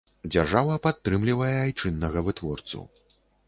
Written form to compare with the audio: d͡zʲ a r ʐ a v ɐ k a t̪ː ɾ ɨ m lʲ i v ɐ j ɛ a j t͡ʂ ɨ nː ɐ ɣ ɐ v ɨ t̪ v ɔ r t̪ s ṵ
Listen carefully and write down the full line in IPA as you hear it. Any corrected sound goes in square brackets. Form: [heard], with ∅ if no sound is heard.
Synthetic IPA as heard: d͡zʲ a r ʐ a v ɐ [p] a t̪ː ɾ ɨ m lʲ i v ɐ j ɛ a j t͡ʂ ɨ nː ɐ ɣ ɐ v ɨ t̪ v ɔ r t̪ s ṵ